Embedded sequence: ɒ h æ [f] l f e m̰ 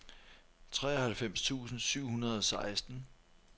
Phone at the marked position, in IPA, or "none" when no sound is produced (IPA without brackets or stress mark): none